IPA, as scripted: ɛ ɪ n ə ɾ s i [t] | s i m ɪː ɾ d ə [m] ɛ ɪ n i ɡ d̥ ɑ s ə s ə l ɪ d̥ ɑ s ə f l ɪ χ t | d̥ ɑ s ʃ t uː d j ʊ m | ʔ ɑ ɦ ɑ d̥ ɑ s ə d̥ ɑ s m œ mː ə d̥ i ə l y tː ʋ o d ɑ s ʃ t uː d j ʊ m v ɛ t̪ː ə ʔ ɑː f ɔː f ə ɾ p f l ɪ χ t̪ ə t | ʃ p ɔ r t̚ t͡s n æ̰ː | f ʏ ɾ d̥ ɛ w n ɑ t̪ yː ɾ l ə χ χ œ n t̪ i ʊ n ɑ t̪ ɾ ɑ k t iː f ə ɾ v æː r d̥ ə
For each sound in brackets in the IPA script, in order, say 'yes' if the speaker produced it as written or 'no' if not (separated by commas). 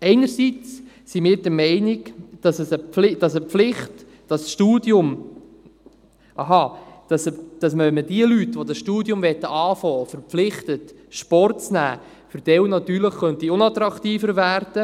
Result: no, yes